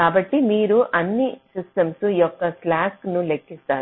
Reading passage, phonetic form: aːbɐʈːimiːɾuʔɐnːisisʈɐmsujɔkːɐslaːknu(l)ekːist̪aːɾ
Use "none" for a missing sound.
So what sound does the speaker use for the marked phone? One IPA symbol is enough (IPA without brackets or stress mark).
l